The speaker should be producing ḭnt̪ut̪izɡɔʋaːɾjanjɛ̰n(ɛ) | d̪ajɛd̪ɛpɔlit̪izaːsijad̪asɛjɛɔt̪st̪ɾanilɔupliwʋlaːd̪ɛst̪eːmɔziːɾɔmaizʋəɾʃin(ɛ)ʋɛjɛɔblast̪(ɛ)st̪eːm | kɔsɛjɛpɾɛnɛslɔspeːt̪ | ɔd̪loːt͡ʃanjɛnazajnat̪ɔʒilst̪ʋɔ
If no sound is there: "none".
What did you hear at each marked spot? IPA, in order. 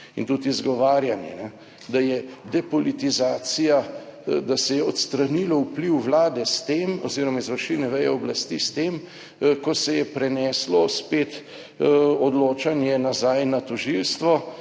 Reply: ɛ, ɛ, i

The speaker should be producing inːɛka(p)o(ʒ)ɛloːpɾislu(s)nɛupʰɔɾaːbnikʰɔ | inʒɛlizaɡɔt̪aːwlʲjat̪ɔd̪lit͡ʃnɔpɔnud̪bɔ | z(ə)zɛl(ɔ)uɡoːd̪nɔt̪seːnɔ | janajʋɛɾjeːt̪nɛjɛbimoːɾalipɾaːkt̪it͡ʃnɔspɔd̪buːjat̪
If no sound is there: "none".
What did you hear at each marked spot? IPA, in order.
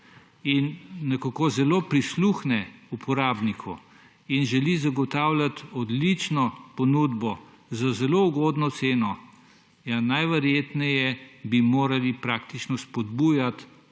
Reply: k, z, x, a, o

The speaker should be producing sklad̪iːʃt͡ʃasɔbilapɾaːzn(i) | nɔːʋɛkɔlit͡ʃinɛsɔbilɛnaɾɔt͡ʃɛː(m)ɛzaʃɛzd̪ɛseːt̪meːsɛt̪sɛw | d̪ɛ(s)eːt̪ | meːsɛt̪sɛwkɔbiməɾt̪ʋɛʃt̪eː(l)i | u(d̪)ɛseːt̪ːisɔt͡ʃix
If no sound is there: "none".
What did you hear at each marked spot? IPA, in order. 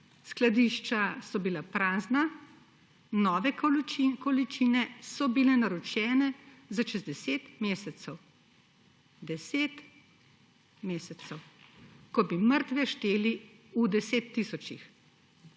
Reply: a, n, s, l, d̪

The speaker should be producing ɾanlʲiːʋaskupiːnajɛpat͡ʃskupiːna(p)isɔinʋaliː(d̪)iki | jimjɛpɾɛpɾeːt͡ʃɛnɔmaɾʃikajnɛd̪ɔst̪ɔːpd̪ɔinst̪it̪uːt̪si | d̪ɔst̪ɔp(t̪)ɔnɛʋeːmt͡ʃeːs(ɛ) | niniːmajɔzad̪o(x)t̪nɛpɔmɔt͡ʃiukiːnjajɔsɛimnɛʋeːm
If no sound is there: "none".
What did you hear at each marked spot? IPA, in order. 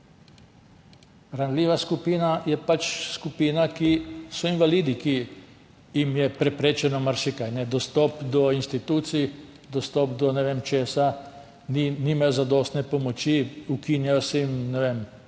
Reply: k, d̪, d̪, a, s

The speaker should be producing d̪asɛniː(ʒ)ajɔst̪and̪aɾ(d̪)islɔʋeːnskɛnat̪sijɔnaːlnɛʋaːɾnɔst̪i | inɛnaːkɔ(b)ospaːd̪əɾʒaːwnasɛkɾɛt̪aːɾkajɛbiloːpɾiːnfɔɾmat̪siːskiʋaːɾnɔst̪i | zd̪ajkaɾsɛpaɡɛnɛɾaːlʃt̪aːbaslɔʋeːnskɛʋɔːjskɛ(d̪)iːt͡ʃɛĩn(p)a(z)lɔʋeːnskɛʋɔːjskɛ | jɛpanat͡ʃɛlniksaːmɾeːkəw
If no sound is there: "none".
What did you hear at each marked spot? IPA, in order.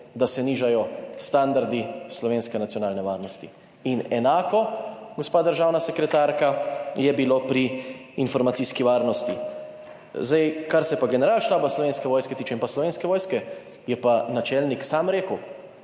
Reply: ʒ, d̪, ɡ, t̪, p, s

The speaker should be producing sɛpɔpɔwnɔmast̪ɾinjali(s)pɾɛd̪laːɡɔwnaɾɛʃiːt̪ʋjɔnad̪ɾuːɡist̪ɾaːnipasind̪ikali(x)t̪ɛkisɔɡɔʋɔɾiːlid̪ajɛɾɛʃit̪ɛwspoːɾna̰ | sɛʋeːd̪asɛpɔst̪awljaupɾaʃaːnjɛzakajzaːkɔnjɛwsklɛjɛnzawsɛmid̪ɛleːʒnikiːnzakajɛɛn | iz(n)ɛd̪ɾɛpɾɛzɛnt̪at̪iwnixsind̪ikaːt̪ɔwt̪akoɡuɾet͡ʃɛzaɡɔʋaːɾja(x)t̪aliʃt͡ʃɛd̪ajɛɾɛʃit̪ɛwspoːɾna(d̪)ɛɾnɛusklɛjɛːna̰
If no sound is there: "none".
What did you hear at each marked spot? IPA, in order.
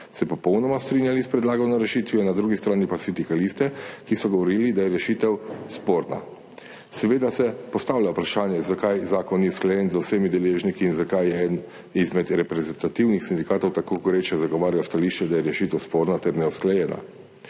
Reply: s, s, m, s, t̪

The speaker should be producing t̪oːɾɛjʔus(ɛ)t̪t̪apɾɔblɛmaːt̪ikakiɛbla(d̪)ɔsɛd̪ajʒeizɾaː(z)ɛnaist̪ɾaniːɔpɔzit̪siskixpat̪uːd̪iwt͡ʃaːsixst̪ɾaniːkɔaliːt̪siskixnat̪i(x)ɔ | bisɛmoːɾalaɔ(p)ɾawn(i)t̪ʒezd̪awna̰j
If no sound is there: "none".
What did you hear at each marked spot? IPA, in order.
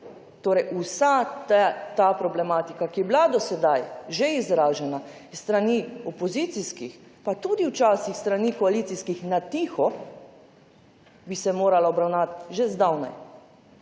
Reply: a, d̪, ʒ, x, b, a

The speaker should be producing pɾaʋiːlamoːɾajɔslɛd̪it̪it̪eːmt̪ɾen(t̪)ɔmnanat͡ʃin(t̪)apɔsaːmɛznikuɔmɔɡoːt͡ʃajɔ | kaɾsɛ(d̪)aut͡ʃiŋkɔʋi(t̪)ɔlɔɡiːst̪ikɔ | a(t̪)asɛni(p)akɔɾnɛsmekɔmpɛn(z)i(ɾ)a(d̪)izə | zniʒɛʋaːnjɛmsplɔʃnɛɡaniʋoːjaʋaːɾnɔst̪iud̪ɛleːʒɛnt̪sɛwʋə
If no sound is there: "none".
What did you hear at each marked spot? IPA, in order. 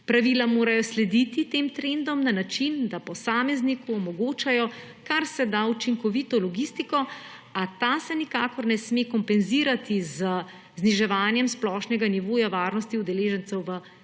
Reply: d̪, d̪, d̪, t̪, t̪, k, z, ɾ, t̪

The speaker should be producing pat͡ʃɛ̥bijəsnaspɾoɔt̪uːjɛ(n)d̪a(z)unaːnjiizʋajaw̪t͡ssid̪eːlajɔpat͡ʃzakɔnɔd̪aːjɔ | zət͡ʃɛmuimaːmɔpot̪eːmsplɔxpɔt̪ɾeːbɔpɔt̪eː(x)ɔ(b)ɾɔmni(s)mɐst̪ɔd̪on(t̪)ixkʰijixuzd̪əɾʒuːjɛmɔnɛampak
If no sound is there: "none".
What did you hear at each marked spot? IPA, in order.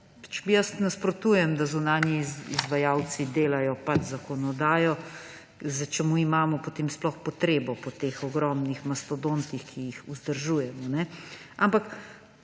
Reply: m, z, x, ɡ, x, t̪

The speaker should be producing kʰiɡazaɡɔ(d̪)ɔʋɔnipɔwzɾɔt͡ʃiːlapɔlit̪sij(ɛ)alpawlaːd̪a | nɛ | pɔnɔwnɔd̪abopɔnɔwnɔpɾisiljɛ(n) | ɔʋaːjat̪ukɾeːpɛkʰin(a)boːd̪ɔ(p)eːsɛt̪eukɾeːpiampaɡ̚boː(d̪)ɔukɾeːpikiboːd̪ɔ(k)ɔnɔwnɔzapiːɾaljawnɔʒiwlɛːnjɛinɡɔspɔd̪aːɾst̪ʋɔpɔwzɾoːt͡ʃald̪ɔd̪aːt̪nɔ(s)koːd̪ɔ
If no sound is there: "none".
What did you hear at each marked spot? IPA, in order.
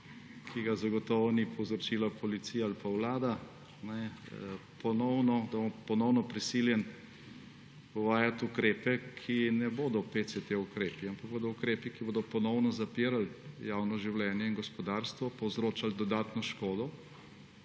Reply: t̪, a, n, ɛ, p, d̪, p, ʃ

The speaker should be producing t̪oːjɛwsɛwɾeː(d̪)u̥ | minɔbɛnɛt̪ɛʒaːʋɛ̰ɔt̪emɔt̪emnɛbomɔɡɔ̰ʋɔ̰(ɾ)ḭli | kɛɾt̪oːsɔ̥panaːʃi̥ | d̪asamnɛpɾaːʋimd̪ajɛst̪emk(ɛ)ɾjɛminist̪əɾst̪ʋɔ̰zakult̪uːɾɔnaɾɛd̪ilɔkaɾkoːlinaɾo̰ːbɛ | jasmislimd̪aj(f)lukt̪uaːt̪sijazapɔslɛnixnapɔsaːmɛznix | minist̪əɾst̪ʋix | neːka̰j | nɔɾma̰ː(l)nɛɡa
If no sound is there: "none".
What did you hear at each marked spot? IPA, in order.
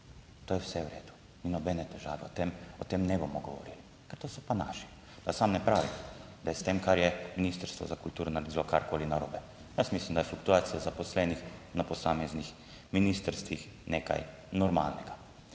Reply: d̪, ɾ, a, f, l

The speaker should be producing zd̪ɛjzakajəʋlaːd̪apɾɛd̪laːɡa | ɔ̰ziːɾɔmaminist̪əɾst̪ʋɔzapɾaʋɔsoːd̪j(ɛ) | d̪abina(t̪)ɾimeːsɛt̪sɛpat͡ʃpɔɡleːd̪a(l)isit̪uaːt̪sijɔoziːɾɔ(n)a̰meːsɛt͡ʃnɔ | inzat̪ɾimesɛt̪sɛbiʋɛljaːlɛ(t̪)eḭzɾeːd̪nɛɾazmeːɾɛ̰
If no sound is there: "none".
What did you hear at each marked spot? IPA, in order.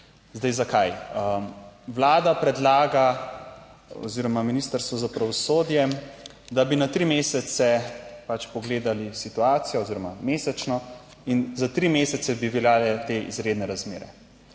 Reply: ɛ, t̪, l, m, t̪

